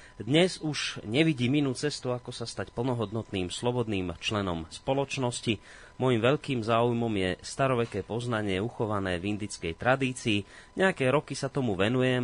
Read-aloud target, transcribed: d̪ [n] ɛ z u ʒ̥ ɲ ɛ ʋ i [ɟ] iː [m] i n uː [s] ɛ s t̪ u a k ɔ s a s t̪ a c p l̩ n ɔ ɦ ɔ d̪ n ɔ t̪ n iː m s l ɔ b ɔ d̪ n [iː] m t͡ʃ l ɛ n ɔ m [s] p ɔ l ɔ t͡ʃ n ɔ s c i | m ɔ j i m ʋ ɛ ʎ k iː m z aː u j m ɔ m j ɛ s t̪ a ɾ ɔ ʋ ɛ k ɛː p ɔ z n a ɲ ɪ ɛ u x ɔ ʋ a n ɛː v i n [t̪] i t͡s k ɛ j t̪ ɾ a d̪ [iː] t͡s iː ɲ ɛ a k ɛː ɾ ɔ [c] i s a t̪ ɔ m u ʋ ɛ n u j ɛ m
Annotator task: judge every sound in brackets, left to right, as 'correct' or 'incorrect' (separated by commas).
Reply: incorrect, correct, correct, incorrect, correct, correct, incorrect, correct, incorrect